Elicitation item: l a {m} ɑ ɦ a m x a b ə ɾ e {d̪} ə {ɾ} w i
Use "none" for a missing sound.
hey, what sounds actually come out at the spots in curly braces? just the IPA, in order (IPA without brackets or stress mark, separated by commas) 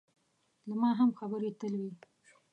m, t̪, l